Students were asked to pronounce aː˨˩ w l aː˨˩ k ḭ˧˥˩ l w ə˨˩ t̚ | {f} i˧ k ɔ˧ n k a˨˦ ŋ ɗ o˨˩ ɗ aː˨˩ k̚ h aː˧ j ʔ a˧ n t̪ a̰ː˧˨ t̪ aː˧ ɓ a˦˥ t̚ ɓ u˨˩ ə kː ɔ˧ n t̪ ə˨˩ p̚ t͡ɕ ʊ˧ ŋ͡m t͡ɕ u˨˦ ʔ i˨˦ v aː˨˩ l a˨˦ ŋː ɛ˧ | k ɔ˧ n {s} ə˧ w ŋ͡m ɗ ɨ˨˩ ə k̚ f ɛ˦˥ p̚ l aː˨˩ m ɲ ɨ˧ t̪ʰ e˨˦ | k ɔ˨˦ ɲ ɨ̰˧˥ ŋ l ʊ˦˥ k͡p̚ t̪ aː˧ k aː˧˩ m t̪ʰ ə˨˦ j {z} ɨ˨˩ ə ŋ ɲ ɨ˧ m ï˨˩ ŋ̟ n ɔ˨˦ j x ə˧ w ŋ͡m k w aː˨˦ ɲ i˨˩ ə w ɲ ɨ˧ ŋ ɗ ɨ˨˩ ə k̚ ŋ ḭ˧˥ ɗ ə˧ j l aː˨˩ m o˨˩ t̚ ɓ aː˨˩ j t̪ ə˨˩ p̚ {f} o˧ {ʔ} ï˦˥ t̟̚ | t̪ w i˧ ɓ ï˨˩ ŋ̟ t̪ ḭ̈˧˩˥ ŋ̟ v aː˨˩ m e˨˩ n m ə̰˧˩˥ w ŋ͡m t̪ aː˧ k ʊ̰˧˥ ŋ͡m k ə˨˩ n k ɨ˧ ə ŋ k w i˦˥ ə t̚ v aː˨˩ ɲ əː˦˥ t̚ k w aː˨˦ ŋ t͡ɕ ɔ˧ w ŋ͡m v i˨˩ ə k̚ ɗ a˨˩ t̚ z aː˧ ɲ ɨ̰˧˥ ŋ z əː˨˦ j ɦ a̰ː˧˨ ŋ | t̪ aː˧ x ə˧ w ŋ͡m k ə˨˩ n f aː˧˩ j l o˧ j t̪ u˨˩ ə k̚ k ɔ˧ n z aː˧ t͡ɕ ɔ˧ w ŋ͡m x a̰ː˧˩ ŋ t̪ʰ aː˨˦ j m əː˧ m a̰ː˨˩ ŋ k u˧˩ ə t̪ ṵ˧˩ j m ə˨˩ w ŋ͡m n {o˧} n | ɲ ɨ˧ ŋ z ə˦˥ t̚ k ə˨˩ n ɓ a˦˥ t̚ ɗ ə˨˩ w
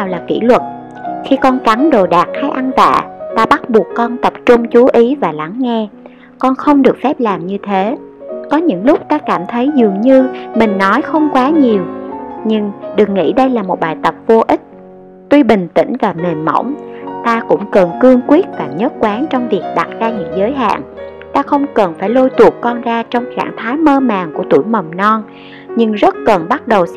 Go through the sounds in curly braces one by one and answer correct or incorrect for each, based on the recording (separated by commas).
incorrect, incorrect, correct, incorrect, correct, incorrect